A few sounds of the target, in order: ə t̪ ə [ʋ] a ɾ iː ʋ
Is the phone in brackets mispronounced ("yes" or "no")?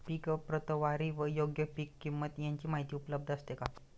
no